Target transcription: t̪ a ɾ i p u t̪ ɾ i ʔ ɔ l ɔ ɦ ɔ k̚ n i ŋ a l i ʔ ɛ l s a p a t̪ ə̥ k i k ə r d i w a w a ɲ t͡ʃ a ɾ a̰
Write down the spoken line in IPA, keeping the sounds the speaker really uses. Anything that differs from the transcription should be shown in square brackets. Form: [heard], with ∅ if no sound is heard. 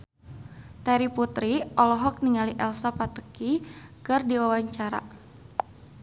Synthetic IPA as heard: t̪ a ɾ i p u t̪ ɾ i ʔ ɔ l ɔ ɦ ɔ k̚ n i ŋ a l i ʔ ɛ l s a p a t̪ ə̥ k i k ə r d i w a w a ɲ t͡ʃ a ɾ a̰